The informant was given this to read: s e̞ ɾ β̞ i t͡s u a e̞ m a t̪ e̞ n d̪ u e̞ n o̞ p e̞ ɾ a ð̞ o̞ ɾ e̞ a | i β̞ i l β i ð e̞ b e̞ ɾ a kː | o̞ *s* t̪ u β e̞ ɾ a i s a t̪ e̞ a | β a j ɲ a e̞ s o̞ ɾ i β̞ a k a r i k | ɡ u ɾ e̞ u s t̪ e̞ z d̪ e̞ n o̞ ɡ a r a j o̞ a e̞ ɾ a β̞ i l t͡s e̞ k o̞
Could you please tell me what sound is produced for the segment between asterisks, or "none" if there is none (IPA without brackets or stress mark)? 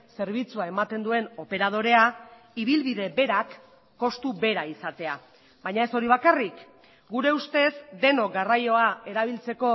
s